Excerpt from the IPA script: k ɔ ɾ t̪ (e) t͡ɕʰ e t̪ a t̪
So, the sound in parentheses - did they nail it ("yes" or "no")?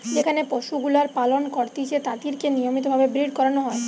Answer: no